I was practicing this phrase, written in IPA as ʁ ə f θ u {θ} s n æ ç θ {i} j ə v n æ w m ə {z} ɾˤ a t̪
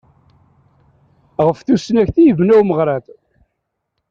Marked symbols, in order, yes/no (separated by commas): no, yes, no